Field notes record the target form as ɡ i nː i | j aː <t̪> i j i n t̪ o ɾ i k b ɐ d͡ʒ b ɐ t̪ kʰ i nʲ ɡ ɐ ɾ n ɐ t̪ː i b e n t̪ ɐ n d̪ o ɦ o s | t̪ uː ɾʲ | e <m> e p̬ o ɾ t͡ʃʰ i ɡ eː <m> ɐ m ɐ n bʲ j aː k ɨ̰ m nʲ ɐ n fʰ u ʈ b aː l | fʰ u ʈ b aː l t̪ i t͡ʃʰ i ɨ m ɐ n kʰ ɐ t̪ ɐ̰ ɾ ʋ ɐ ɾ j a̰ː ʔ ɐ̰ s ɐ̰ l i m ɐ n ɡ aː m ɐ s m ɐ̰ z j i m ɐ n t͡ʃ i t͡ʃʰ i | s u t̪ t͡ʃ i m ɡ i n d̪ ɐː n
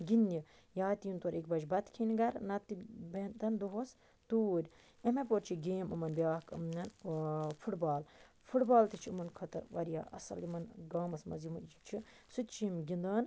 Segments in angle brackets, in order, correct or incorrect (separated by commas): correct, correct, correct